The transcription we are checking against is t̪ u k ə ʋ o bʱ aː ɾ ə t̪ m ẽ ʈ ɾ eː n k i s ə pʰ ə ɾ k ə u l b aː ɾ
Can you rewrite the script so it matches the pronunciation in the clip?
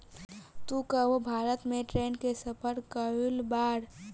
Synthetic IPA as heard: t̪ u k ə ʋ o bʱ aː ɾ ə t̪ m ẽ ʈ ɾ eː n k e s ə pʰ ə ɾ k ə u l b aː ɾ